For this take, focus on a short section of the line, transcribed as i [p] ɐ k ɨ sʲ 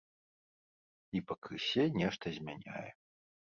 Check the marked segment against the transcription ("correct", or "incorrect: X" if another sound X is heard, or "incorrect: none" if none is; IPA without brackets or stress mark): correct